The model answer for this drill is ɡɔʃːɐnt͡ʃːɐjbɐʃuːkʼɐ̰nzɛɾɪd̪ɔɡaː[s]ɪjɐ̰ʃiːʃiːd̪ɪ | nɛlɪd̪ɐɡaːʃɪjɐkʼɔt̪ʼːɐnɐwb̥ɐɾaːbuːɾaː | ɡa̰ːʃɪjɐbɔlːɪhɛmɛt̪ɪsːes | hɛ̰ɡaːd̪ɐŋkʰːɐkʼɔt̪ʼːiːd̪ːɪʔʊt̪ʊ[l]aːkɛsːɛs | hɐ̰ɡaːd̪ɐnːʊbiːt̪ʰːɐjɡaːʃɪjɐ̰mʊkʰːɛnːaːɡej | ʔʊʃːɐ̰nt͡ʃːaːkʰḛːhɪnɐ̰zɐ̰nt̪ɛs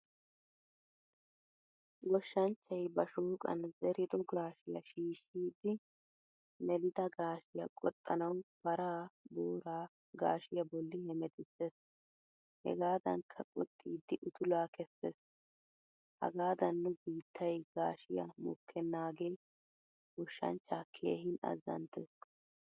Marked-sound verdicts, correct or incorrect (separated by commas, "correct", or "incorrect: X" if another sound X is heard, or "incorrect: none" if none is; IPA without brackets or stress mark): incorrect: ʃ, correct